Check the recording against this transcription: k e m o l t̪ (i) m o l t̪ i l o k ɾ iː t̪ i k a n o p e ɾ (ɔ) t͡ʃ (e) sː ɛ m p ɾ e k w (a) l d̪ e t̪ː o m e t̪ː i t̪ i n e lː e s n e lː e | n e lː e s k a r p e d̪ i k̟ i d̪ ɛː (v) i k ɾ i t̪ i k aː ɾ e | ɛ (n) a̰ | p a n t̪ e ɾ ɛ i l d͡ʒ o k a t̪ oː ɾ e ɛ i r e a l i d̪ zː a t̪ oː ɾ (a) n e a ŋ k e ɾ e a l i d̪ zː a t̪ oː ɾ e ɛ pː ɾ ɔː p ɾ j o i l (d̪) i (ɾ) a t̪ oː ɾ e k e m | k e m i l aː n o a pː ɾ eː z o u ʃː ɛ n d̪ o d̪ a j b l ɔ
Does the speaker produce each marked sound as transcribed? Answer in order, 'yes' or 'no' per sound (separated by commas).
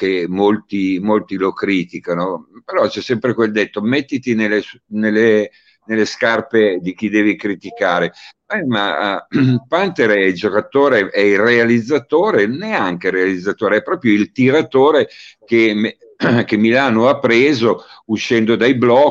yes, yes, no, no, yes, no, no, no, yes